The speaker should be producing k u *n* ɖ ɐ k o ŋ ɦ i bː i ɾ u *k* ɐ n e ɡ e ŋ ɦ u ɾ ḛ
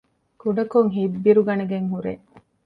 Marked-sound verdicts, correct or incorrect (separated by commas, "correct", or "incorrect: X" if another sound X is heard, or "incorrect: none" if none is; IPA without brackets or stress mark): incorrect: none, incorrect: ɡ